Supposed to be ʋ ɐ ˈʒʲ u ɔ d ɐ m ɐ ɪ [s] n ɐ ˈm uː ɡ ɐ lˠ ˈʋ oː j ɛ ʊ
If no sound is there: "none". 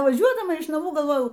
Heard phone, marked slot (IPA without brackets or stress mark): ʃ